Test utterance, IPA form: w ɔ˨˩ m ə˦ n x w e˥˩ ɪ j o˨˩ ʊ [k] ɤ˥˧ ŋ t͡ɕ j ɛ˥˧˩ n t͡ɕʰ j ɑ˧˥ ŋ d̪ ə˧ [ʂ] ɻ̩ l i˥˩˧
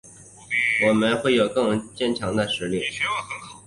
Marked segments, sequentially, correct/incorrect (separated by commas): correct, correct